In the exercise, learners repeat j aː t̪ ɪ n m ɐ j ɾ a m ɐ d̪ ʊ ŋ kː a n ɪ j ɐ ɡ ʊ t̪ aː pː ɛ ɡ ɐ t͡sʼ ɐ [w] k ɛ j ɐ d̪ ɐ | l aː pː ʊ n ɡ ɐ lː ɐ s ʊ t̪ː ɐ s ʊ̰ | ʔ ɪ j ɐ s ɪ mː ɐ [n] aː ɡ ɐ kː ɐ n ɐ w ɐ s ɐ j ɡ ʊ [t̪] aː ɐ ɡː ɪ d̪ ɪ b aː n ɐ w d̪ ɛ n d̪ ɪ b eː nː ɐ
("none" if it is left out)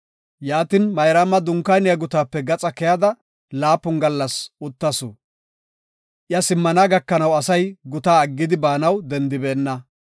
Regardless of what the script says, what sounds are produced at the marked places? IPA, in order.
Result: none, n, t̪

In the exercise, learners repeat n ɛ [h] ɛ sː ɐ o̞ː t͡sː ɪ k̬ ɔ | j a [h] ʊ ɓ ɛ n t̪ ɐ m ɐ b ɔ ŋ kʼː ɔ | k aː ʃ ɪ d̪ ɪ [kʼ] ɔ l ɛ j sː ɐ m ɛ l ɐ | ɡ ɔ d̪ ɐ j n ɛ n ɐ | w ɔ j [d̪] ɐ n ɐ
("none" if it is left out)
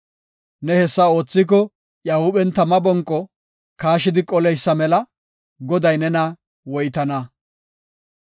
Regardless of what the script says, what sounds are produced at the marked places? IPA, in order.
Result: h, h, kʼ, t̪

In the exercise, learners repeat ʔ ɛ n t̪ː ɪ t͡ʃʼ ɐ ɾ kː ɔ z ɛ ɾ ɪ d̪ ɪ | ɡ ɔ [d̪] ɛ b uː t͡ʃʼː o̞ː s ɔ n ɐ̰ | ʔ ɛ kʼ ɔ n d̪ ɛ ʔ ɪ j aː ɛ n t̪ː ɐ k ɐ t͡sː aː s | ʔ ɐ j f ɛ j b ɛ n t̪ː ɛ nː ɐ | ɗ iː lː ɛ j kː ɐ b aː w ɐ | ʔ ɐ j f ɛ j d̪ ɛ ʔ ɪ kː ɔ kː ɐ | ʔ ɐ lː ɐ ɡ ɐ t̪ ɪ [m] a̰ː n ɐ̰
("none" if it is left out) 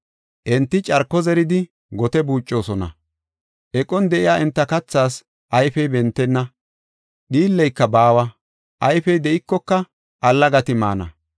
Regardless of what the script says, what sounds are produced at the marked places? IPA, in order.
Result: t̪, m

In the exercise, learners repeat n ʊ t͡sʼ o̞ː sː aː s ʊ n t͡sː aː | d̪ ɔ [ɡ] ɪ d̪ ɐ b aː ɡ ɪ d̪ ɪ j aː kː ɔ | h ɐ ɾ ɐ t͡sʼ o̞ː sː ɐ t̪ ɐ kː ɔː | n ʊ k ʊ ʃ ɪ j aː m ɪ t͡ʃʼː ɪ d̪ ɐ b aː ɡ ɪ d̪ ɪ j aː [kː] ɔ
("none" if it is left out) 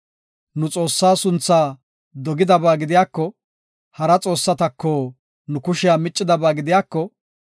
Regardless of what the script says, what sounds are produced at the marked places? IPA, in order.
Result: ɡ, kː

